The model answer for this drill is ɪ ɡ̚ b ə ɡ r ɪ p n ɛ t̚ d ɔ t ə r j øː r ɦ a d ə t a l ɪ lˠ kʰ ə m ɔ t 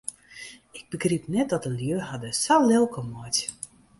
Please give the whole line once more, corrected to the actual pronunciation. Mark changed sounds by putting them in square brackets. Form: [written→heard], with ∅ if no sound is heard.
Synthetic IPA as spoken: ɪ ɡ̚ b ə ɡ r [ɪ→i] p n ɛ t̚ d ɔ t ə [r→l] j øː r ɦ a d ə [t→s] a l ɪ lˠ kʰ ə m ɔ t